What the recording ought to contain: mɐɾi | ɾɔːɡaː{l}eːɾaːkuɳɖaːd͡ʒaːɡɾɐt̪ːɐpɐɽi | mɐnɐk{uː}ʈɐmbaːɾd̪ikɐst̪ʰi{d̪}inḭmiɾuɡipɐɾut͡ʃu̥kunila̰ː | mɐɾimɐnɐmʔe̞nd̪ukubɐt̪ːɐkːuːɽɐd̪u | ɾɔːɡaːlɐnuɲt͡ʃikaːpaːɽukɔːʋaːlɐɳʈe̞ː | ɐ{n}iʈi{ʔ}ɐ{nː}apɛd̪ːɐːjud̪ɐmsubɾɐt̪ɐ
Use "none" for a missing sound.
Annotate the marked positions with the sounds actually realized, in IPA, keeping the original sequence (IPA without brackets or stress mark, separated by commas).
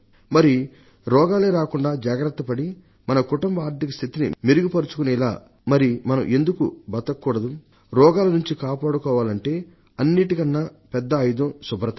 l, u, t̪, nː, k, nː